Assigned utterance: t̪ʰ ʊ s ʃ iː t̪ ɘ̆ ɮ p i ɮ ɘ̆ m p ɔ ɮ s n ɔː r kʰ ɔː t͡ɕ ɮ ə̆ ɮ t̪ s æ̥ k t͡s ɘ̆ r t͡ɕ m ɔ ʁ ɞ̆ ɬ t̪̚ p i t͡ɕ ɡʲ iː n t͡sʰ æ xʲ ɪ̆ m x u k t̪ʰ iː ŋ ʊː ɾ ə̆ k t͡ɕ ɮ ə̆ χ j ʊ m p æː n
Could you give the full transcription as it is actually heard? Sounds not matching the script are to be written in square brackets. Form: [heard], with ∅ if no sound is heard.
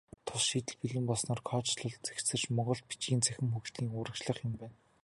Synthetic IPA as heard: t̪ʰ ʊ s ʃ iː t̪ ɘ̆ ɮ p i ɮ ɘ̆ m p ɔ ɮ s n ɔː r kʰ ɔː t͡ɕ ɮ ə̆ ɮ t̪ [t͡s] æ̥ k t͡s ɘ̆ r t͡ɕ m ɔ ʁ ɞ̆ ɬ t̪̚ p i t͡ɕ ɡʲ iː n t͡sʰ æ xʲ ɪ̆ m x u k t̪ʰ iː ŋ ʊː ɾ ə̆ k t͡ɕ ɮ ə̆ χ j ʊ m p æː n